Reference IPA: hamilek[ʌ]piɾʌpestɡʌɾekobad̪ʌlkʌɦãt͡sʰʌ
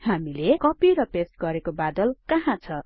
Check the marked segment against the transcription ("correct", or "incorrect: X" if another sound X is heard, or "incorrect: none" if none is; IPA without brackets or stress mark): correct